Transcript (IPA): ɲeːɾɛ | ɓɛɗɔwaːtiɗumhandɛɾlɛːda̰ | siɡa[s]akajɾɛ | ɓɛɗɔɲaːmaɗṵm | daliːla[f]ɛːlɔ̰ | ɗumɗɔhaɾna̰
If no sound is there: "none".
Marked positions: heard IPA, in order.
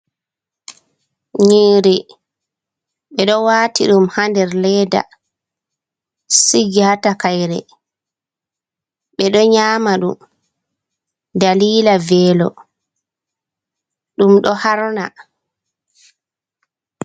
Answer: t, v

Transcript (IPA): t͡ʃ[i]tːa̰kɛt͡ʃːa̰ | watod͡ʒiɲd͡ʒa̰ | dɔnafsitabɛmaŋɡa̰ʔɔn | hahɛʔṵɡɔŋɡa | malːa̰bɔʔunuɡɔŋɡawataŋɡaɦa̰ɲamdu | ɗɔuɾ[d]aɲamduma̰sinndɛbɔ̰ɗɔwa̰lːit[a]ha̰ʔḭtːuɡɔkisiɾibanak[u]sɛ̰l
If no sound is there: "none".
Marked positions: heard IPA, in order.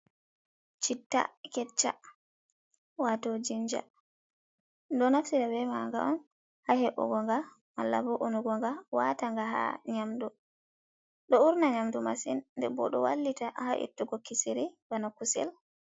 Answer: i, n, a, u

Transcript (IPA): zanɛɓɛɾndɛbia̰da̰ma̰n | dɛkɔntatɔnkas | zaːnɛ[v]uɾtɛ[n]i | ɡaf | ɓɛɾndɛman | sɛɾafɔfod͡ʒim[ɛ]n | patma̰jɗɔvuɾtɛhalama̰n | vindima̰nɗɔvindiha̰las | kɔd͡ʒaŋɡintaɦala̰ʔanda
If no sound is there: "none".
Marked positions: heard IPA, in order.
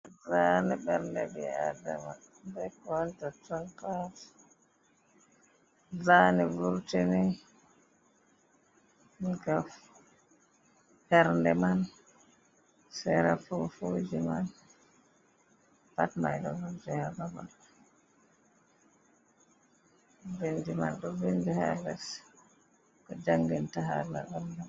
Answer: v, n, a

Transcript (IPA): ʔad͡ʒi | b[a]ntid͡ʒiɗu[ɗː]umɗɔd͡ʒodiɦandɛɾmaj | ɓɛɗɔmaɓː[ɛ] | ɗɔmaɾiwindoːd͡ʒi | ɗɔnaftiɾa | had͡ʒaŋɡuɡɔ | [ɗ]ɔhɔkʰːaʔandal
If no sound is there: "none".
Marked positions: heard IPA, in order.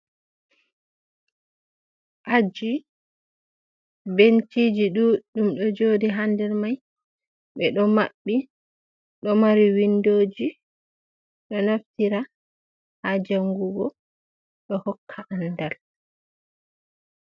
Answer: e, ɗ, i, ɗ

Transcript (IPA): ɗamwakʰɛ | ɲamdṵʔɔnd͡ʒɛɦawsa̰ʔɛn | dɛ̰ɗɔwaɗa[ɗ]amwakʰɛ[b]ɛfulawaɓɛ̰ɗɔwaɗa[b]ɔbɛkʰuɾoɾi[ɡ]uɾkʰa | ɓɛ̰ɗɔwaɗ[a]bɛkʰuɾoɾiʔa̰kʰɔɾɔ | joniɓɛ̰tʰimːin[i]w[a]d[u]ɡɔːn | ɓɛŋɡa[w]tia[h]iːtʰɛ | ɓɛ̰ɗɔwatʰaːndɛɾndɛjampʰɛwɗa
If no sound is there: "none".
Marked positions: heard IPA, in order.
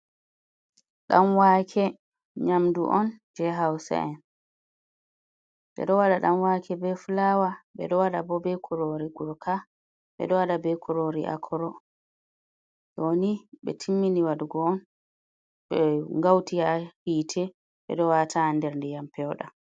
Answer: ɗ, b, b, ɡ, a, i, a, u, w, h

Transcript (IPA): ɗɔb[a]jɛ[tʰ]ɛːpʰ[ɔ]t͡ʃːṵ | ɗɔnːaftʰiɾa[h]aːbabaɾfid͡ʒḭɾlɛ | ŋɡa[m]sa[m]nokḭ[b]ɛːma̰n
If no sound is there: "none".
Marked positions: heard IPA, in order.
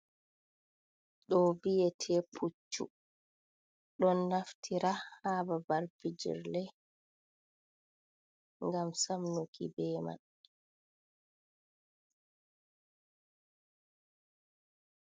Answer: i, tʰ, u, h, m, m, b

